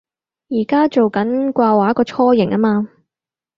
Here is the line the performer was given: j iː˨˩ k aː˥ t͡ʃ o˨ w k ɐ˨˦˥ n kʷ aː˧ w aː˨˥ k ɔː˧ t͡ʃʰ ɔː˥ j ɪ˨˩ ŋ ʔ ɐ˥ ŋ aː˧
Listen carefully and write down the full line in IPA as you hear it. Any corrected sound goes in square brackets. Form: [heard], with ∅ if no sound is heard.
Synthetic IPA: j iː˨˩ k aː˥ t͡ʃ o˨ w k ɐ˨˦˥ n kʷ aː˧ w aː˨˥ k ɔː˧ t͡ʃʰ ɔː˥ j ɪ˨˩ ŋ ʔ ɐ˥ [m] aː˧

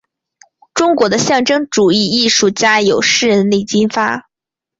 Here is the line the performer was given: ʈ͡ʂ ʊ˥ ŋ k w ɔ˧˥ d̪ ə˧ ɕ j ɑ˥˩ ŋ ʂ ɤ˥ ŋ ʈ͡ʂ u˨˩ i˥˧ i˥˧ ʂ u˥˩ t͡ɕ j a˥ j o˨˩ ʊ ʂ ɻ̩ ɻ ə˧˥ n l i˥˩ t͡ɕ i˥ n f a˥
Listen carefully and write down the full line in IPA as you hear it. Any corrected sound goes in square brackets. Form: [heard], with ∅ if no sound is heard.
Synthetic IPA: ʈ͡ʂ ʊ˥ ŋ k w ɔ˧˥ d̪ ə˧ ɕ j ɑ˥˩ ŋ [ʈ͡ʂ] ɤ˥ ŋ ʈ͡ʂ u˨˩ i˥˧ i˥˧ ʂ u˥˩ t͡ɕ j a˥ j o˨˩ ʊ ʂ ɻ̩ ɻ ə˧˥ n l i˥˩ t͡ɕ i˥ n f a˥

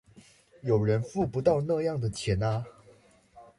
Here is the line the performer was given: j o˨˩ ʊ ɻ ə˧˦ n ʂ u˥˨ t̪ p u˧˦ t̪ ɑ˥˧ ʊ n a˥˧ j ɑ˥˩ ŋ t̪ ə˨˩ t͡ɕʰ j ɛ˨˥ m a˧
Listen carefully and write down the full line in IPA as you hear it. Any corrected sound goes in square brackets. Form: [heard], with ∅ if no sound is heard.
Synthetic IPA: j o˨˩ ʊ ɻ ə˧˦ n [f] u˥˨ [∅] p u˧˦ t̪ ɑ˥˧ ʊ n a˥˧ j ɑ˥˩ ŋ [d̪] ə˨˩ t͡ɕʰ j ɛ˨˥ [n] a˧

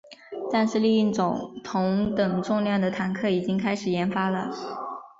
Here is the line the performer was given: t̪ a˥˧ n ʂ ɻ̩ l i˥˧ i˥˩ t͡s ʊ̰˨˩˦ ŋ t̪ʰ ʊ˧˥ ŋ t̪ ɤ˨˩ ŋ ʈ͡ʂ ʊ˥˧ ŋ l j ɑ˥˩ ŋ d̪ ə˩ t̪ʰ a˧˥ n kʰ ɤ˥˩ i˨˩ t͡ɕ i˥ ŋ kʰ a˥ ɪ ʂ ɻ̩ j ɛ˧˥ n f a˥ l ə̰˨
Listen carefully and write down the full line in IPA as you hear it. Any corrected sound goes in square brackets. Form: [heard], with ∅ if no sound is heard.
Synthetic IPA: t̪ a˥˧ n ʂ ɻ̩ l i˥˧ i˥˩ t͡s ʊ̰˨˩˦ ŋ t̪ʰ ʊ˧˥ ŋ t̪ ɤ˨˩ ŋ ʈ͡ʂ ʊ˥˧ ŋ l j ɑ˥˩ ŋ d̪ ə˩ t̪ʰ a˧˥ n kʰ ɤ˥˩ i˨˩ t͡ɕ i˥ ŋ kʰ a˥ ɪ ʂ ɻ̩ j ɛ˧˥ n f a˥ l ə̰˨

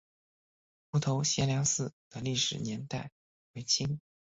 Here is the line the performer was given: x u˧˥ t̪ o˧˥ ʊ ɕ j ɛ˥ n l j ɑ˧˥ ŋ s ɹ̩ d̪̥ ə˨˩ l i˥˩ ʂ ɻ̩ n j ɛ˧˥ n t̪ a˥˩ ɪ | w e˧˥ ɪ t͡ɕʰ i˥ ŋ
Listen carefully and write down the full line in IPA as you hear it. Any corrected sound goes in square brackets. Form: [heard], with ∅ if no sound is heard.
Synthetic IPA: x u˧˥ [t̪ʰ] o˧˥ ʊ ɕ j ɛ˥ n l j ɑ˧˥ ŋ s ɹ̩ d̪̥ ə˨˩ l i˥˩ ʂ ɻ̩ n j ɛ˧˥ n t̪ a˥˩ ɪ | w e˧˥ ɪ t͡ɕʰ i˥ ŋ

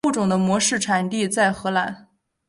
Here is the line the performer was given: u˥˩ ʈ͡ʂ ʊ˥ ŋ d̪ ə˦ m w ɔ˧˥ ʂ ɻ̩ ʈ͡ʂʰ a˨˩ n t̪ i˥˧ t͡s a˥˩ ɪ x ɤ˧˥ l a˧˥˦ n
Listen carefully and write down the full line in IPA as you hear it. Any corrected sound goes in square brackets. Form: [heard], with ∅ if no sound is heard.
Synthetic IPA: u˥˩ ʈ͡ʂ [ʊ˨˩] ŋ d̪ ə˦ m w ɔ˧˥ ʂ ɻ̩ ʈ͡ʂʰ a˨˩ n t̪ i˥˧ t͡s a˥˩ ɪ x ɤ˧˥ l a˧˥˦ n

